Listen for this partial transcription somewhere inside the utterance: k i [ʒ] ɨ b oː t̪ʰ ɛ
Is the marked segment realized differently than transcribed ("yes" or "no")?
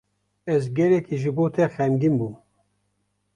no